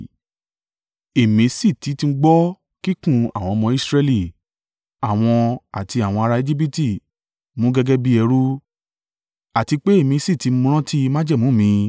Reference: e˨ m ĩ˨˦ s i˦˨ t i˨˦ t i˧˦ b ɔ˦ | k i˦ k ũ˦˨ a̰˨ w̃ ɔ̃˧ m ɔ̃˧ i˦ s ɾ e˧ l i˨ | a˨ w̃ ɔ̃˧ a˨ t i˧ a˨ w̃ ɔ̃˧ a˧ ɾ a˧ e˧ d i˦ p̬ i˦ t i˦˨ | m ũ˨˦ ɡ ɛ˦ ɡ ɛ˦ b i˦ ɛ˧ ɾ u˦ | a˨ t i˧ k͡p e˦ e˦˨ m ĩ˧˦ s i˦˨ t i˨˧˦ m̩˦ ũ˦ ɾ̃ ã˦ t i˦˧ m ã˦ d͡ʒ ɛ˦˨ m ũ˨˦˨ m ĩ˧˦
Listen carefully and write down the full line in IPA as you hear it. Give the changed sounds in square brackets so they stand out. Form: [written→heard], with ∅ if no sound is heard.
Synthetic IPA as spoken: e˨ m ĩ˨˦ s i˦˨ t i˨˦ t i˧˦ [b→ɡ͡b] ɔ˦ | k i˦ k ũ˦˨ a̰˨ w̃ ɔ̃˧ m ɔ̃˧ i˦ s ɾ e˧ l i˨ | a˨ w̃ ɔ̃˧ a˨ t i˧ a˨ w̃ ɔ̃˧ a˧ ɾ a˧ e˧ [d→d͡ʒ] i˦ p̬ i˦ t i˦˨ | m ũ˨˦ ɡ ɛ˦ ɡ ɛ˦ b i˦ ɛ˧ ɾ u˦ | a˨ t i˧ k͡p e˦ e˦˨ m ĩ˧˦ s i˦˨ t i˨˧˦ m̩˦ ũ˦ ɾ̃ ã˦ t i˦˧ m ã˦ d͡ʒ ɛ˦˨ m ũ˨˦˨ m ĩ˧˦

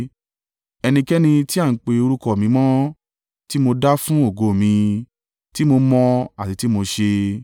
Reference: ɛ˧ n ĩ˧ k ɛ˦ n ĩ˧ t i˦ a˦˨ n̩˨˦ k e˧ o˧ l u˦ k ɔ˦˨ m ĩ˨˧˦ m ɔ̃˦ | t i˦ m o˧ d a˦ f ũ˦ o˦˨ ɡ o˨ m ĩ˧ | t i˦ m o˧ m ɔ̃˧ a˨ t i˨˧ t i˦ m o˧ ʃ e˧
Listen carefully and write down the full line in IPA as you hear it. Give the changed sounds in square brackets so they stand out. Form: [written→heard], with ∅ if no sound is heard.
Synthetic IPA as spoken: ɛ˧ n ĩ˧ k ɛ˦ n ĩ˧ t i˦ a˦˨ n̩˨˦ [k→k͡p] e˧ o˧ [l→ɾ] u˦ k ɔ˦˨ m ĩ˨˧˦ m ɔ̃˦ | t i˦ m o˧ d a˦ f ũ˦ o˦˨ ɡ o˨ m ĩ˧ | t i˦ m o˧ m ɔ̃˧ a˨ t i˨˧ t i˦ m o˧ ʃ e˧

